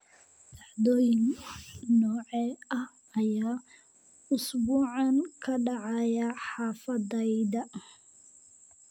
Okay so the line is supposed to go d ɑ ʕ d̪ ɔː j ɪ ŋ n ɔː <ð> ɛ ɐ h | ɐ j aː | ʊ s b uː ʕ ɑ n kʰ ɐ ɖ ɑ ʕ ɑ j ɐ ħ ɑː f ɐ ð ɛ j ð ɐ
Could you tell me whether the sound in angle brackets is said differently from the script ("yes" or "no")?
yes